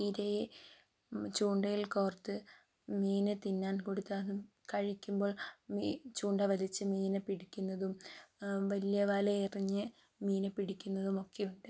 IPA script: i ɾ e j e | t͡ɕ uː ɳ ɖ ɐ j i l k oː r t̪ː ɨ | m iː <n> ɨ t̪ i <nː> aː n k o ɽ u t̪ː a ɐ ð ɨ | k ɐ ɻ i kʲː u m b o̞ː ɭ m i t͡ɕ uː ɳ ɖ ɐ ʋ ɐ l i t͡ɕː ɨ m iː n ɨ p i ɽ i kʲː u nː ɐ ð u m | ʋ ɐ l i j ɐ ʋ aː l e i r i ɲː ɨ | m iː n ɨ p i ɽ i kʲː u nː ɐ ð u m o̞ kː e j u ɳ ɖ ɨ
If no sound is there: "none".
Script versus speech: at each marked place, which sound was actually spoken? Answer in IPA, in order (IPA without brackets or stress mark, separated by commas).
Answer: n, nː